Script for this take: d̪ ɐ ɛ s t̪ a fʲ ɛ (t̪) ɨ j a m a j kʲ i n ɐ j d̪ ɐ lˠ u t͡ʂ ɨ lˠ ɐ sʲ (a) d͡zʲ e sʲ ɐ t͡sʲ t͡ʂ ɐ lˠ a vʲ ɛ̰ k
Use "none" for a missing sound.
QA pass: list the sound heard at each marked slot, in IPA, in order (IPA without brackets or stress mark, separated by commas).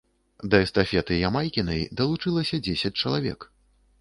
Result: t̪, ɐ